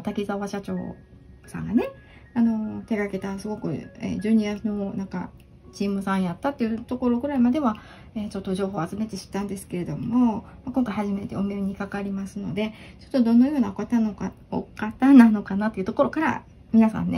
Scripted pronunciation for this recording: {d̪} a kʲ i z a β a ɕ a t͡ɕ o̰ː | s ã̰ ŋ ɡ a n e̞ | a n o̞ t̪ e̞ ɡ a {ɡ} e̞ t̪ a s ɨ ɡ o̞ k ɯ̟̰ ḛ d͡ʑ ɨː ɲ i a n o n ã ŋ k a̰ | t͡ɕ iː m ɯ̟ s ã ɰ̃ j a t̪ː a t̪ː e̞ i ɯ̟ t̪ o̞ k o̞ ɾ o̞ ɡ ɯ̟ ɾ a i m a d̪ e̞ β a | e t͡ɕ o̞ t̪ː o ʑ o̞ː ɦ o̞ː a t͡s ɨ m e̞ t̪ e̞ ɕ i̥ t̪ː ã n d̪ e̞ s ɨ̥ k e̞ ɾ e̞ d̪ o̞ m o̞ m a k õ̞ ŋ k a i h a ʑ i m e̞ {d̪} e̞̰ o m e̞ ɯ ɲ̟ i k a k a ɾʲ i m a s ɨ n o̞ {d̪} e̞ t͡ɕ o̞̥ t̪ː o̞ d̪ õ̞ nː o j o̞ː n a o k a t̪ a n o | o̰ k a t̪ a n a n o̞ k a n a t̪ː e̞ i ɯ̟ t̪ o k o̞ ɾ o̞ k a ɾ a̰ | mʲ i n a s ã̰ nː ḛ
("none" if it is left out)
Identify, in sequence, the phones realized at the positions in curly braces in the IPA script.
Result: t̪, k, t̪, d̪

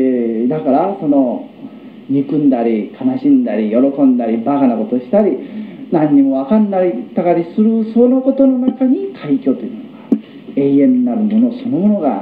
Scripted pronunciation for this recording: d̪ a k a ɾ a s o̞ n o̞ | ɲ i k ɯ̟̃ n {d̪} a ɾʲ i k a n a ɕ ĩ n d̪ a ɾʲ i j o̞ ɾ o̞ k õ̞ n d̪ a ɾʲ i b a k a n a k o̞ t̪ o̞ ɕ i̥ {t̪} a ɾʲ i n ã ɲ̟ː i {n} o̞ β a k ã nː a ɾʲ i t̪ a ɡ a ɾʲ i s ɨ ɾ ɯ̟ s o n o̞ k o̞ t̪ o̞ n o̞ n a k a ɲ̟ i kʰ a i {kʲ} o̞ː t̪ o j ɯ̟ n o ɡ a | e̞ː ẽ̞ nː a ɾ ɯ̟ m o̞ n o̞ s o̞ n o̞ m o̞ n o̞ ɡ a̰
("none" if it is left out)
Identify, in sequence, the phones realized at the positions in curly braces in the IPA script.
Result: d̪, t̪, m, kʲ

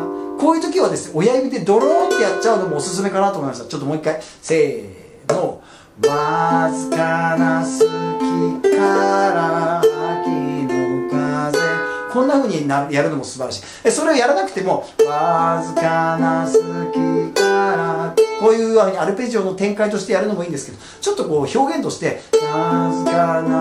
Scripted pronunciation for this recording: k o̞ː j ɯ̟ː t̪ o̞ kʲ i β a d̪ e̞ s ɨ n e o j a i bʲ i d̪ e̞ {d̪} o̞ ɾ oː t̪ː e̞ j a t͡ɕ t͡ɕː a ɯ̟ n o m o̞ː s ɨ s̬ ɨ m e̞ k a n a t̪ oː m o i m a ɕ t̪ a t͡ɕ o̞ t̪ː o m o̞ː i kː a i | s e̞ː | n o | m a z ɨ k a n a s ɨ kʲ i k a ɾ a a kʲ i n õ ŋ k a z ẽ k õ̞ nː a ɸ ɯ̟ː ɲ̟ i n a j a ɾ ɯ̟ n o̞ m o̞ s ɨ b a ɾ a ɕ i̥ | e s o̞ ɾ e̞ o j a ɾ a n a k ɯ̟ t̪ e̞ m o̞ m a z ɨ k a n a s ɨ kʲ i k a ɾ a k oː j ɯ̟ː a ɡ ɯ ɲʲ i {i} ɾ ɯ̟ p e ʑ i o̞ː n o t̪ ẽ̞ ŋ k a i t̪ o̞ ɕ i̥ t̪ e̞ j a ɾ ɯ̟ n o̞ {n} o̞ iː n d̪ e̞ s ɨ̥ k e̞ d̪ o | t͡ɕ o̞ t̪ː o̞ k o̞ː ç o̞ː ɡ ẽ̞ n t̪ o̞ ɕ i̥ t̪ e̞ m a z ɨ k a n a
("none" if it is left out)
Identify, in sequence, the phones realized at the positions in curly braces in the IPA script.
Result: d̪, a, m

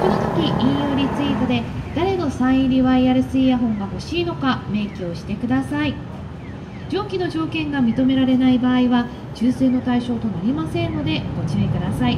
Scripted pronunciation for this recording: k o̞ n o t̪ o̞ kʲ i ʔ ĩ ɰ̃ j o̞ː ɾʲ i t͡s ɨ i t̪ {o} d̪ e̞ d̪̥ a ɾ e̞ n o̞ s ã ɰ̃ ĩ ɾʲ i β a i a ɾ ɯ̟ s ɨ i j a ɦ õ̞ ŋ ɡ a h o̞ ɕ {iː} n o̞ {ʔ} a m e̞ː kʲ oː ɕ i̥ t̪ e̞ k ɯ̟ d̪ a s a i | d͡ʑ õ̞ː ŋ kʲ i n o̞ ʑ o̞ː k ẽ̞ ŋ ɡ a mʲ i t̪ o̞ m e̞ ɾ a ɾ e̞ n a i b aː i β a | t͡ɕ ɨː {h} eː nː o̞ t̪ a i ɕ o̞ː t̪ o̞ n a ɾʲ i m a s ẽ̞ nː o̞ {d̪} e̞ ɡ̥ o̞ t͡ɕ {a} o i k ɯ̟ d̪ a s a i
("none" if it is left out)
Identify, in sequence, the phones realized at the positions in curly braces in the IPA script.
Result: o, iː, k, s, d̪, i

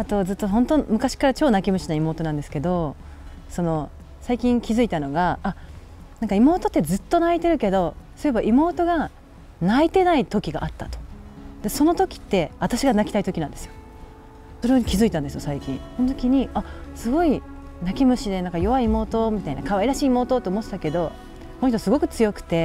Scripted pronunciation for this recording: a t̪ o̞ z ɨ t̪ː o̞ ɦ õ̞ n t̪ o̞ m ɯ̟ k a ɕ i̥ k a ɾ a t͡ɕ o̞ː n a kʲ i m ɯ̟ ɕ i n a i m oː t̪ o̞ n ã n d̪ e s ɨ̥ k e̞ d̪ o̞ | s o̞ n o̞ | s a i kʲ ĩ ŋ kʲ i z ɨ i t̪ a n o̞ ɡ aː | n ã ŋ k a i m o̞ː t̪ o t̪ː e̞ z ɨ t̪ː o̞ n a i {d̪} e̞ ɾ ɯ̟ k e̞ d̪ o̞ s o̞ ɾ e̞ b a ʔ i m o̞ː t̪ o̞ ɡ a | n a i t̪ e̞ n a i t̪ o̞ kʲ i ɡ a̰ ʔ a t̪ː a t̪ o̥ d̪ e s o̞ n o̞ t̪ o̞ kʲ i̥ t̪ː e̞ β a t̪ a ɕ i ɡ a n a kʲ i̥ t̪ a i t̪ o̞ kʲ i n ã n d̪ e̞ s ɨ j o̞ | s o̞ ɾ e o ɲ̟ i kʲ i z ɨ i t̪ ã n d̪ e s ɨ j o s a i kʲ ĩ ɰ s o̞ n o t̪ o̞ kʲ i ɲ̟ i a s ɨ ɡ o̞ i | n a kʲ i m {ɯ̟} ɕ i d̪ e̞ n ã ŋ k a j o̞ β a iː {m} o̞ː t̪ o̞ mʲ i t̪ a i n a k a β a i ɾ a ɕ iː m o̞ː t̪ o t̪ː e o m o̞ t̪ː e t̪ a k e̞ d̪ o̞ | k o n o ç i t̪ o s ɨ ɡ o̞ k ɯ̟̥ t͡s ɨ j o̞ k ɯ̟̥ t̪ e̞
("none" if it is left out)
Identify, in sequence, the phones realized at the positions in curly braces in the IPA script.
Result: t̪, ɯ̟, m

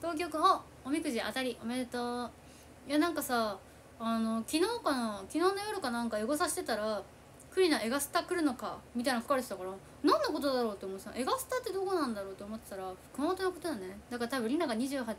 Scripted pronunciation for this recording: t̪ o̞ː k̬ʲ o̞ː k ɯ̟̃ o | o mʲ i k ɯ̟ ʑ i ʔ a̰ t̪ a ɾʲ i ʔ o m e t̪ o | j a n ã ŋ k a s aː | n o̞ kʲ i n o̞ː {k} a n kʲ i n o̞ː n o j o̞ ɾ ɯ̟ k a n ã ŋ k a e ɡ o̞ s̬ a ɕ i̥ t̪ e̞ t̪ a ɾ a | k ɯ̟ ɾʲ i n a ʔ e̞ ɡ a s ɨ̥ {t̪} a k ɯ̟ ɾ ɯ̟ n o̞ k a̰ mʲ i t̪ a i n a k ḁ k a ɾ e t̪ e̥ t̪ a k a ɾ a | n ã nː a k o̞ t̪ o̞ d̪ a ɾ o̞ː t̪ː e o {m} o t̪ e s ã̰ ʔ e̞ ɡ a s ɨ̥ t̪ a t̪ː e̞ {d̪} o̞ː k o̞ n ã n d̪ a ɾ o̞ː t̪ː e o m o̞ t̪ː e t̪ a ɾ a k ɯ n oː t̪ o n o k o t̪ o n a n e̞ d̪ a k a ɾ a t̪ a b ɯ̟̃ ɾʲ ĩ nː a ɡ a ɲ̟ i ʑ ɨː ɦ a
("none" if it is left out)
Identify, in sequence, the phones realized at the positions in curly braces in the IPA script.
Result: k, t̪, m, d̪

